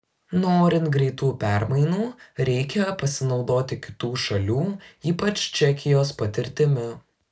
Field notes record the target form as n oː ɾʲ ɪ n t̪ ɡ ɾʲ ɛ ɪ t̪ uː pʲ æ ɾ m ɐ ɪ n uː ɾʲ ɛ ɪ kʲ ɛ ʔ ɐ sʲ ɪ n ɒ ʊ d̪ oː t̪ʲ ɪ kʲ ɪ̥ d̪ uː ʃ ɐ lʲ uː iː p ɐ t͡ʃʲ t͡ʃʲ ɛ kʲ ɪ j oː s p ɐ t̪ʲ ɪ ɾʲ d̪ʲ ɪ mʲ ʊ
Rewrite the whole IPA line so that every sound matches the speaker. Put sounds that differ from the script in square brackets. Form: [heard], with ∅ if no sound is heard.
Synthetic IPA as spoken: n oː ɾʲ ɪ n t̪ ɡ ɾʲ ɛ ɪ t̪ uː pʲ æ ɾ m ɐ ɪ n uː ɾʲ ɛ ɪ kʲ ɛ [p] ɐ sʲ ɪ n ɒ ʊ d̪ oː t̪ʲ ɪ kʲ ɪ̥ [t̪] uː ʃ ɐ lʲ uː iː p ɐ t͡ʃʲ t͡ʃʲ ɛ kʲ ɪ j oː s p ɐ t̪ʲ ɪ ɾʲ [t̪ʲ] ɪ mʲ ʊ